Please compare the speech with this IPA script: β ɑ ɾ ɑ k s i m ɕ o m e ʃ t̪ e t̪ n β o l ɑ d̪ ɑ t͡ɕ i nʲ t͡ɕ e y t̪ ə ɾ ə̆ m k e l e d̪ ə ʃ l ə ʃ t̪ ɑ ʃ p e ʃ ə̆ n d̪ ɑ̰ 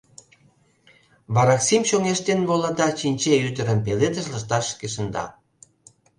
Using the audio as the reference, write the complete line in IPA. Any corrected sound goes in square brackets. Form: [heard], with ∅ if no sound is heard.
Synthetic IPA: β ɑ ɾ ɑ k s i m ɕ o [ŋ] e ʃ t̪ e [∅] n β o l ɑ d̪ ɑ t͡ɕ i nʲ t͡ɕ e y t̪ ə ɾ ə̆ m [p] e l e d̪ ə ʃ l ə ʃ t̪ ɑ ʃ [k] e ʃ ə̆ n d̪ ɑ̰